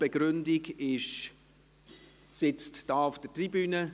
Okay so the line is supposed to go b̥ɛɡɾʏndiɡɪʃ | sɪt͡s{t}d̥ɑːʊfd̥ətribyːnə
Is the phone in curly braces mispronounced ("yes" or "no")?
no